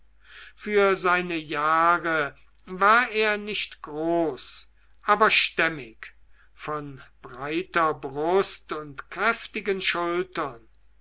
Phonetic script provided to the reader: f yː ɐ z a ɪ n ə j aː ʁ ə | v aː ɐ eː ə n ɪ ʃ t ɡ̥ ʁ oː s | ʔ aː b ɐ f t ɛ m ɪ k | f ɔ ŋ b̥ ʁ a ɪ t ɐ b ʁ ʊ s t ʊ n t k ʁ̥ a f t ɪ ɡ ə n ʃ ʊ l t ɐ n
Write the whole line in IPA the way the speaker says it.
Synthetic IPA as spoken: f yː ɐ z a ɪ n ə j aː ʁ ə | v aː ɐ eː ɐ n ɪ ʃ t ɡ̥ ʁ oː s | ʔ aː b ɐ ʃ t ɛ m ɪ k | f ɔ n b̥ ʁ a ɪ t ɐ b ʁ ʊ s t ʊ n t k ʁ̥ ɛ f t ɪ ɡ ə n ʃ ʊ l t ɐ n